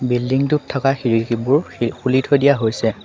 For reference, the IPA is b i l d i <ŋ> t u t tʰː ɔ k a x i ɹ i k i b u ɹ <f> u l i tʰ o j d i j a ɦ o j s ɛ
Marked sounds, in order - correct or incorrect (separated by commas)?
correct, incorrect